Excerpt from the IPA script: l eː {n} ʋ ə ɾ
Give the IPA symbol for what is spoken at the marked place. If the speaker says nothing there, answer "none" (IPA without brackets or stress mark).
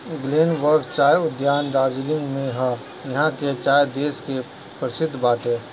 n